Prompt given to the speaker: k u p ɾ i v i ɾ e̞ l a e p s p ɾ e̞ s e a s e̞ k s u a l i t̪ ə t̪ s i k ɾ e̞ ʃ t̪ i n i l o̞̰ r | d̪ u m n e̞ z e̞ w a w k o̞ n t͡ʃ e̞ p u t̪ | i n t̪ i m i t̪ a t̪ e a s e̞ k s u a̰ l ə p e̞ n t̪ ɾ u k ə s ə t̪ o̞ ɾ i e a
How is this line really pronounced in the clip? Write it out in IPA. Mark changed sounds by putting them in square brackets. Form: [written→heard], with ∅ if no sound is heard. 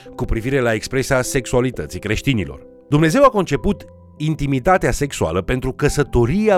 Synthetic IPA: k u p ɾ i v i ɾ e̞ l a e [p→k] s p ɾ e̞ s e a s e̞ k s u a l i t̪ ə t̪ s i k ɾ e̞ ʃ t̪ i n i l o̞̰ r | d̪ u m n e̞ z e̞ w a [w→∅] k o̞ n t͡ʃ e̞ p u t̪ | i n t̪ i m i t̪ a t̪ e a s e̞ k s u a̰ l ə p e̞ n t̪ ɾ u k ə s ə t̪ o̞ ɾ i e a